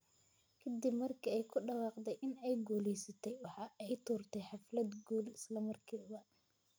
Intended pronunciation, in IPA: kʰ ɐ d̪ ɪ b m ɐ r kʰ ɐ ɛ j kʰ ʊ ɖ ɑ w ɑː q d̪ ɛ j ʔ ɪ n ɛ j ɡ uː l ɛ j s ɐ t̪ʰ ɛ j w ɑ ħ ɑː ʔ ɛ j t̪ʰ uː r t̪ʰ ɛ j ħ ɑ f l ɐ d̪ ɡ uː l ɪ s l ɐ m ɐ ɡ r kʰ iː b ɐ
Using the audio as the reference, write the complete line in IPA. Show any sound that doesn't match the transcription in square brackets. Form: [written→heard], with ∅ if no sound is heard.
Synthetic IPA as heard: kʰ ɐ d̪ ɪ b m ɐ r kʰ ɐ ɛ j kʰ ʊ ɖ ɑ w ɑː q d̪ ɛ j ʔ ɪ n ɛ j ɡ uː l ɛ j s ɐ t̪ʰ ɛ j w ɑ ħ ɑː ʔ ɛ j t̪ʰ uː r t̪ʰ ɛ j ħ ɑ f l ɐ d̪ ɡ uː l ɪ s l ɐ m ɐ [ɡ→∅] r kʰ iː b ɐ